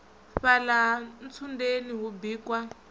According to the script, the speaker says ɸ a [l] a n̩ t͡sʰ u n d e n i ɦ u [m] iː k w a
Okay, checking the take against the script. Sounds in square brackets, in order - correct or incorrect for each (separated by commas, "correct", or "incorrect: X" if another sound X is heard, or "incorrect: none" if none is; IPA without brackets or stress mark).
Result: correct, incorrect: b